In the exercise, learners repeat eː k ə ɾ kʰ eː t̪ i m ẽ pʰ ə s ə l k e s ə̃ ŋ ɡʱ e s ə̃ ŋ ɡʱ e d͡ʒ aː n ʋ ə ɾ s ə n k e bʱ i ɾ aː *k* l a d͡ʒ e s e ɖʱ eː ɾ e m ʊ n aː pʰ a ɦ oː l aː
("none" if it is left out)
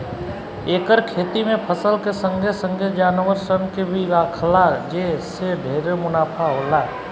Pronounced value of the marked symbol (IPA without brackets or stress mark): kʰ